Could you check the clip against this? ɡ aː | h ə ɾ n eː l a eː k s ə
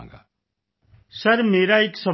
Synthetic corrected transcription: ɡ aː | s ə ɾ m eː ɾ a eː k s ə

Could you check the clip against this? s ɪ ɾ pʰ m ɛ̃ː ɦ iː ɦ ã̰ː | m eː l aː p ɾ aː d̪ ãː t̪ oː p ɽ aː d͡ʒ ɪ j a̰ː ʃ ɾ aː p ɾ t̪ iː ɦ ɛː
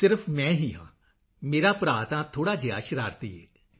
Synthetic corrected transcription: s ɪ ɾ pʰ m ɛ̃ː ɦ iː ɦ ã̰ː | m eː ɾ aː p ɾ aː t̪ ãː t̪ʰ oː ɽ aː d͡ʒ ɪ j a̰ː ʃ ɾ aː ɾ t̪ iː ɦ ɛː

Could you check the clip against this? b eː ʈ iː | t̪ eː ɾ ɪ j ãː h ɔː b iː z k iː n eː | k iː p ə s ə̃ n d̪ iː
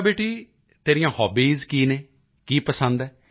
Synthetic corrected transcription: b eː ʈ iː | t̪ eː ɾ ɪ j ãː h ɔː b iː z k iː n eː | k iː p ə s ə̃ n d̪ ɛː

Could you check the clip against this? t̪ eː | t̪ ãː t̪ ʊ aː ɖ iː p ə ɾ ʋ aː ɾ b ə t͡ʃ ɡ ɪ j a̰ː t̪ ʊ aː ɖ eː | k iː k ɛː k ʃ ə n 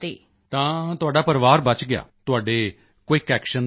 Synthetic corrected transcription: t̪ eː | t̪ ãː t̪ ʊ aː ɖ aː p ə ɾ ʋ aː ɾ b ə t͡ʃ ɡ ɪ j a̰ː t̪ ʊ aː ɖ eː | k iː k ɛː k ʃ ə n

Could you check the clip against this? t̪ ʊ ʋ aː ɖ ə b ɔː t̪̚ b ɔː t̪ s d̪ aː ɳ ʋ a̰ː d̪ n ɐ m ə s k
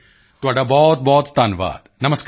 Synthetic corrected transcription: t̪ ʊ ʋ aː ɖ a b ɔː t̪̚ b ɔː t̪ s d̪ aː n ʋ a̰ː d̪ n ɐ m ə s k

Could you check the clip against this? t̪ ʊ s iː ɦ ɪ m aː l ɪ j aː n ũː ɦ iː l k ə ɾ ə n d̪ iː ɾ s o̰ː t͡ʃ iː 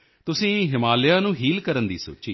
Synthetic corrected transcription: t̪ ʊ s ĩː ɦ ɪ m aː l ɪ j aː n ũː ɦ iː l k ə ɾ ə n d̪ iː s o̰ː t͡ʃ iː

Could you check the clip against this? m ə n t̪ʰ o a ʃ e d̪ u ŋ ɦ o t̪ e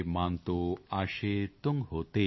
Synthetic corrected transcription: m a n t̪ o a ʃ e t̪ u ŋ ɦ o t̪ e

